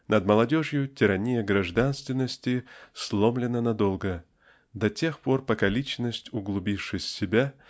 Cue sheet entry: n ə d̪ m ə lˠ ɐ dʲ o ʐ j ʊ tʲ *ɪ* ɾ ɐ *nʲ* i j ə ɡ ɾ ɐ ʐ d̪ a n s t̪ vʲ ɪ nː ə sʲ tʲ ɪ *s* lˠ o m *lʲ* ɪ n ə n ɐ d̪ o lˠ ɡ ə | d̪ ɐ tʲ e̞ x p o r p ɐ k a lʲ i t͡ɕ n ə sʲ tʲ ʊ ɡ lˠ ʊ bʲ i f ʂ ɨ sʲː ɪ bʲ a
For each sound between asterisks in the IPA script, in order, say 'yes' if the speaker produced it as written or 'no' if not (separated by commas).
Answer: yes, yes, yes, yes